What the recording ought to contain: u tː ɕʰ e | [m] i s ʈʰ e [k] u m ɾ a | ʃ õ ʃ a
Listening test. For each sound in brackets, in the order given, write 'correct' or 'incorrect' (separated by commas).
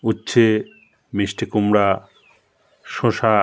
correct, correct